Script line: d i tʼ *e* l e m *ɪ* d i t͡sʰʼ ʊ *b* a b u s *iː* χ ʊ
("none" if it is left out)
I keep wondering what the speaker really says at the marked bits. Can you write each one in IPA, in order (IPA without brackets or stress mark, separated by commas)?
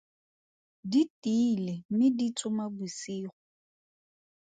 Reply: i, ɪ, m, iː